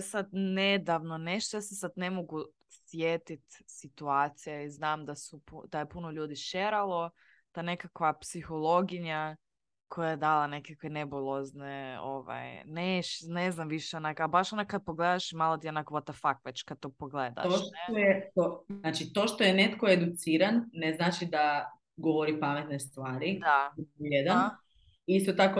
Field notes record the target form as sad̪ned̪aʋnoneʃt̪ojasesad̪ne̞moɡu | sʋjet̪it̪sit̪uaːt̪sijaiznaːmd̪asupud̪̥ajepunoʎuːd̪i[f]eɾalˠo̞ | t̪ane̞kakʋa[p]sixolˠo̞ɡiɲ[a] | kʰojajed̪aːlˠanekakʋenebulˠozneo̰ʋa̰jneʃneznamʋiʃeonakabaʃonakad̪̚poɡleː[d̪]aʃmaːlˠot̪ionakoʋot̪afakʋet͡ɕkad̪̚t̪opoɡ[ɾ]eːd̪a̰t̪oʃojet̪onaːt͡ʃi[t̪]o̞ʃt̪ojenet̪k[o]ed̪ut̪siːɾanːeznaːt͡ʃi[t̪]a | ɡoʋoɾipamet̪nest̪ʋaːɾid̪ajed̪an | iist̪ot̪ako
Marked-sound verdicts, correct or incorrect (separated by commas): incorrect, correct, correct, correct, incorrect, correct, correct, incorrect